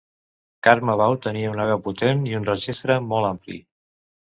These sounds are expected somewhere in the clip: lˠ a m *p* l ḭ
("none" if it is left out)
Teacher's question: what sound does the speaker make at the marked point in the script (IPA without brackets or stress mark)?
p